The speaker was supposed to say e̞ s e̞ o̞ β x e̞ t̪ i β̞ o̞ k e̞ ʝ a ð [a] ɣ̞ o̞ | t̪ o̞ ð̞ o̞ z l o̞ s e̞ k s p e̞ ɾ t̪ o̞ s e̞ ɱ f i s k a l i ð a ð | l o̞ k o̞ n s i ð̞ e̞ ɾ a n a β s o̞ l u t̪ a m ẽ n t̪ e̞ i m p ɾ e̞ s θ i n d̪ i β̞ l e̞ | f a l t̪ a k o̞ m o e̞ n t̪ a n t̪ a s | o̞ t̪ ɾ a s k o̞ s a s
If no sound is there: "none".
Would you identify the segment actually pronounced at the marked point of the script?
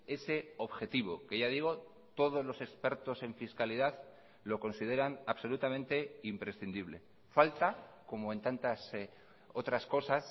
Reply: i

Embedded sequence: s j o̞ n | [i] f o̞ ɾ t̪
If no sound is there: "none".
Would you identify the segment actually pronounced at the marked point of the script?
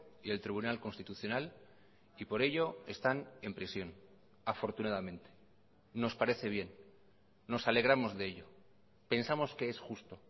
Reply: a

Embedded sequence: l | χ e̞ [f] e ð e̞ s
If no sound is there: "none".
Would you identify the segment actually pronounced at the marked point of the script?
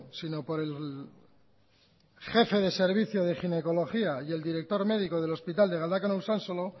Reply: f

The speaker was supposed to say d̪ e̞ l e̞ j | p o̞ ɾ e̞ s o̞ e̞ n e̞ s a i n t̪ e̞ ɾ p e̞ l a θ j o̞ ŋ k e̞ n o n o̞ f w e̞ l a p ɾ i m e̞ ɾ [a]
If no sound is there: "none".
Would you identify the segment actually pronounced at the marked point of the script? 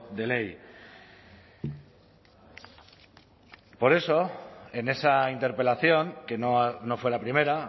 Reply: a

